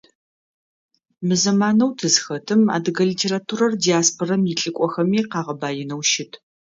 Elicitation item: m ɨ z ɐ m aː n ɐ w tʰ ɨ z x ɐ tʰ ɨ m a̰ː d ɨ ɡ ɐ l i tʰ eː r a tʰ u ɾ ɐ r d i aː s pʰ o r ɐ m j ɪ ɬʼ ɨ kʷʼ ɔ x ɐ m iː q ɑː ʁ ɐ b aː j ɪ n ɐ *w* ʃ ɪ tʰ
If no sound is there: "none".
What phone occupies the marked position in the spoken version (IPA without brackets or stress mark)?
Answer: w